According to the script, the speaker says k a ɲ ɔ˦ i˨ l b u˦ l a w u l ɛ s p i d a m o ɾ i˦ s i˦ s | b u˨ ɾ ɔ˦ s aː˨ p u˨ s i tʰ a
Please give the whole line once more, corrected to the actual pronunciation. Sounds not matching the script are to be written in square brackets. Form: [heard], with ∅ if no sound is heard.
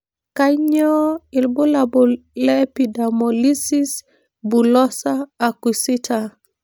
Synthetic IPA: k a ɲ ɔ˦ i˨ l b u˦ l a [b] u l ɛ [∅] p i d a m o [l] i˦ s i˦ s | b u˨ [l] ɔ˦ s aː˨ [k] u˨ s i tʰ a

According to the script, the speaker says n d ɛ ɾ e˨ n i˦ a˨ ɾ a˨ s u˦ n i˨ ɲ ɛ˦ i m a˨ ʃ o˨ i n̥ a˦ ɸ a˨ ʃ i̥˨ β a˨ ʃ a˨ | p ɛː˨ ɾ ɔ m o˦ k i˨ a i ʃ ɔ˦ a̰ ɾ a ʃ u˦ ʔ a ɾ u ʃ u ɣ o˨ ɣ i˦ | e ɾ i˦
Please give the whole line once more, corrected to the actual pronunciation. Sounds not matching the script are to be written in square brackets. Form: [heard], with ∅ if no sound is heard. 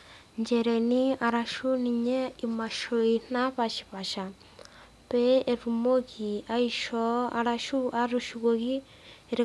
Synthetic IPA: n [d͡ʒ] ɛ ɾ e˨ n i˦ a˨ ɾ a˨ [ʃ] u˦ n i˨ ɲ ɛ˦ i m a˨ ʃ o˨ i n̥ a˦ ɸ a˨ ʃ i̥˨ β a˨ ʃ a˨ | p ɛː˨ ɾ [u] m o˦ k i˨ a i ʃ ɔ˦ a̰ ɾ a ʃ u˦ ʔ a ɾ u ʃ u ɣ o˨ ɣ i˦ | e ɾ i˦

